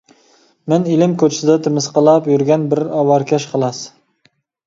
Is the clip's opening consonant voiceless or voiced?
voiced